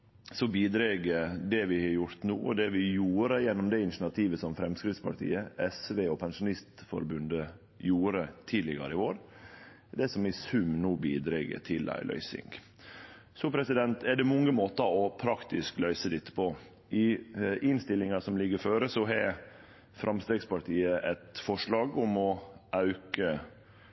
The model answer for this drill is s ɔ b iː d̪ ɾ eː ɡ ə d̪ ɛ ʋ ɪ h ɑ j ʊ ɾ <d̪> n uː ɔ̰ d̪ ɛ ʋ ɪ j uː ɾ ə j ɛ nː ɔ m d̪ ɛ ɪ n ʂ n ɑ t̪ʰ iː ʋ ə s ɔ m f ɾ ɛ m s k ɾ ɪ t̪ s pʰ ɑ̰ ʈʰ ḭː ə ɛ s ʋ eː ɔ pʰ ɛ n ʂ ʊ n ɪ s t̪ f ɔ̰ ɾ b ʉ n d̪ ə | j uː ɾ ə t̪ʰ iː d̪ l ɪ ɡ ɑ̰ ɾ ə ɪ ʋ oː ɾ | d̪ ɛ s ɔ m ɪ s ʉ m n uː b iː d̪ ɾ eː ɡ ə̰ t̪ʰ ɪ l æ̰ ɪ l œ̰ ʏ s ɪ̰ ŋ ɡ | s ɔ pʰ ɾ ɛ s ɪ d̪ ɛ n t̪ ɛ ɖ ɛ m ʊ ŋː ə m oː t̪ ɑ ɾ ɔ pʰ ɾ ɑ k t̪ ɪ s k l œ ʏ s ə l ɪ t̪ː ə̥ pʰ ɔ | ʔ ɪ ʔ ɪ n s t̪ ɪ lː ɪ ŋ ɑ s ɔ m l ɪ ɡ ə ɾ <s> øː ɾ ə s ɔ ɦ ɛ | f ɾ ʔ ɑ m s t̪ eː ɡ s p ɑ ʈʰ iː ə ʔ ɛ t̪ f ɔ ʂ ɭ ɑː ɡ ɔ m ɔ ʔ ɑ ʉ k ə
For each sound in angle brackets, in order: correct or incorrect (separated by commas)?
incorrect, incorrect